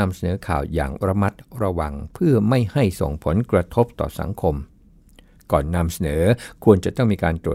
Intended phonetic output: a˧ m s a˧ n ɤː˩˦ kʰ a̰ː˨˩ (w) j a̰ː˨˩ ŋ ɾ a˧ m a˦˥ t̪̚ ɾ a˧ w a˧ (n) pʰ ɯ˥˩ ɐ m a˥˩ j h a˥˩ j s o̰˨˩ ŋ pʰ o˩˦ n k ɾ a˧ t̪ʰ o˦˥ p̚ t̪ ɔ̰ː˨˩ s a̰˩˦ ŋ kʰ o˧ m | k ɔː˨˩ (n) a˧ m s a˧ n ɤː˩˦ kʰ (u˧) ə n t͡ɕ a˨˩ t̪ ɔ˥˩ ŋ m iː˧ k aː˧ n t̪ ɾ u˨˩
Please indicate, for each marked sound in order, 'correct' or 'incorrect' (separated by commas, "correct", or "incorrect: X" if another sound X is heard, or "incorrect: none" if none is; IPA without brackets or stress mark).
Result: correct, incorrect: ŋ, incorrect: nː, correct